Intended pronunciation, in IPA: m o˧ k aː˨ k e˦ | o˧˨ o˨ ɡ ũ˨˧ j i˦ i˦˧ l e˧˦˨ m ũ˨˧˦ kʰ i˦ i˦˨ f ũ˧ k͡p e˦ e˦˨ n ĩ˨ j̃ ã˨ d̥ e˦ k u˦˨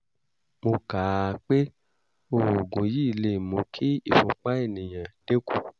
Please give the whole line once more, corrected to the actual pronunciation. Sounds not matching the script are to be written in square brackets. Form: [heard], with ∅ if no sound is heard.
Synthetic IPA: m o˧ k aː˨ [k͡p] e˦ | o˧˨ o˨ ɡ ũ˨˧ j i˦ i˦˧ l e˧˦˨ m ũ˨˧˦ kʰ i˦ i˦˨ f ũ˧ k͡p [a˦] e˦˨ n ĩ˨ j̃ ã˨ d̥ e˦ k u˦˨